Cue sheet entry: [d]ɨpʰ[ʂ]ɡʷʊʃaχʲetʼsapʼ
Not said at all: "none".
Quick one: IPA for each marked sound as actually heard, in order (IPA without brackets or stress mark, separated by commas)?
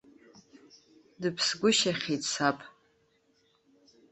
d, s